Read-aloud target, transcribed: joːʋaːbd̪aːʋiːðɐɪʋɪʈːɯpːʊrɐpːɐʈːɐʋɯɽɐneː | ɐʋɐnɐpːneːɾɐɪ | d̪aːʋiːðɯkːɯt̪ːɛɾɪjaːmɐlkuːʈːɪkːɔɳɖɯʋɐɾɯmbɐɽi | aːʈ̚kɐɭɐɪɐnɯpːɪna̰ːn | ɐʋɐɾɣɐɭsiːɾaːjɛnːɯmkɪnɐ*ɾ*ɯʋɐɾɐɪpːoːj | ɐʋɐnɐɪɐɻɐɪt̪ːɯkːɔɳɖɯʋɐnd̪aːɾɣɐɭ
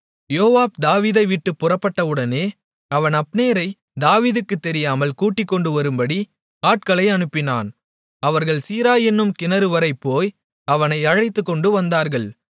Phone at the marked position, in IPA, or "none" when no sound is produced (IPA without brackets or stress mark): ɾ